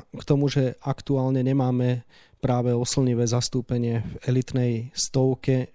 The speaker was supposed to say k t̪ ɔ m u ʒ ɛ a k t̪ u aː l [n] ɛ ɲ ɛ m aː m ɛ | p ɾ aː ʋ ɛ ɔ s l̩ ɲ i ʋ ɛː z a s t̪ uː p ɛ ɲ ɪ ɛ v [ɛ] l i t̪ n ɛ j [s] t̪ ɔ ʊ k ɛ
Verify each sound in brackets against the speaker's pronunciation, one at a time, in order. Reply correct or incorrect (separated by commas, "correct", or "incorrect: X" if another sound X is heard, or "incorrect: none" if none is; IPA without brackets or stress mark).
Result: incorrect: ɲ, correct, correct